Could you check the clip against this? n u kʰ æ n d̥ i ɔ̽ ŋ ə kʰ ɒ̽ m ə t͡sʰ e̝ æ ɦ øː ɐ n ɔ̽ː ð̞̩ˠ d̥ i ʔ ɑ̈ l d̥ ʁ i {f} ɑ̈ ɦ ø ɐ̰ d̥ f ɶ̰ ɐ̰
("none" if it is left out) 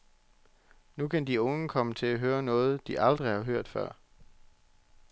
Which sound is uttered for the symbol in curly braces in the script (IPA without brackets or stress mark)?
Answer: h